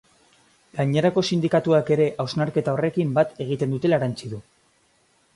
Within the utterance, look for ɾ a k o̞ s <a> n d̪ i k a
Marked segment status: incorrect: i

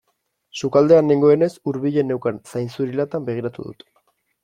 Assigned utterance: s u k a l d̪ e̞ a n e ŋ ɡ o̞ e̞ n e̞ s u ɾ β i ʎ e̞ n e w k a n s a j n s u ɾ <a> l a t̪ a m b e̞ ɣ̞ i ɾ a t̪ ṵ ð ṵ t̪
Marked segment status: incorrect: i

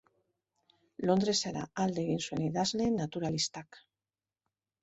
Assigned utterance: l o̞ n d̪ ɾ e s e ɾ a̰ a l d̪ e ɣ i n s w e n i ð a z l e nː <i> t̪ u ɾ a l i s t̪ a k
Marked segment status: incorrect: a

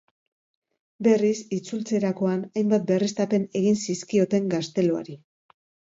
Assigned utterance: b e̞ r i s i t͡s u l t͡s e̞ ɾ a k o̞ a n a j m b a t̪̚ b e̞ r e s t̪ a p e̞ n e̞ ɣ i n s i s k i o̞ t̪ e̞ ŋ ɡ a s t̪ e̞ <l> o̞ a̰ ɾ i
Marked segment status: correct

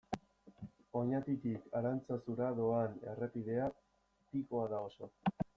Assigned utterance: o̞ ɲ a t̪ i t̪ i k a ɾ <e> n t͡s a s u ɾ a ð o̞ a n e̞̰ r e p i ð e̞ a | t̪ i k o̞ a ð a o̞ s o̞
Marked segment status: incorrect: a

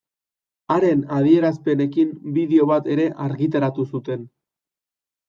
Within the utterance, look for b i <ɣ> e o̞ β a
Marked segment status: incorrect: ð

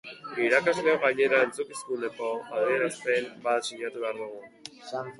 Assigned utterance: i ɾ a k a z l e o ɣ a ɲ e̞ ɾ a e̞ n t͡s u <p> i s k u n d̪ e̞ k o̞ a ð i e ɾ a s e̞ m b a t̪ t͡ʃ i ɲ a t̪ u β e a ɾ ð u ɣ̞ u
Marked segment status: incorrect: k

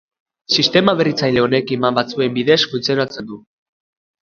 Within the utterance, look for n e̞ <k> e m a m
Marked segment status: correct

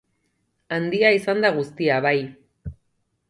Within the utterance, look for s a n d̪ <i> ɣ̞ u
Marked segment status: incorrect: a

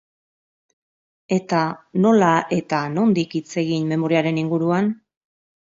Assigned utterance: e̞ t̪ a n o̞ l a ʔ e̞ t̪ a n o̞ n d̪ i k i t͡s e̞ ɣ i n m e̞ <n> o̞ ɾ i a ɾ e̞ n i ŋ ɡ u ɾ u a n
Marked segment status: incorrect: m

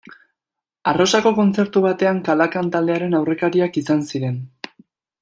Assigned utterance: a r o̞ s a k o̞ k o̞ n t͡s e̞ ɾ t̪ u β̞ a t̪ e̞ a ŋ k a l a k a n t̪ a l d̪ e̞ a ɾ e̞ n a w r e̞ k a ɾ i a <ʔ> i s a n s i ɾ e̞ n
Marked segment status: incorrect: k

